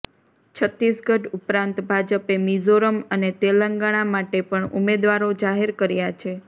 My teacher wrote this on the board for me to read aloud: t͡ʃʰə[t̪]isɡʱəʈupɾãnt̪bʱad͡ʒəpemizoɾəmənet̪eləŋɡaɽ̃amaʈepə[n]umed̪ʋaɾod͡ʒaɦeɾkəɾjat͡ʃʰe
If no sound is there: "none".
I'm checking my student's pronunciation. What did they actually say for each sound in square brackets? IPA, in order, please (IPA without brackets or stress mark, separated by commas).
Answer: t̪, ɳ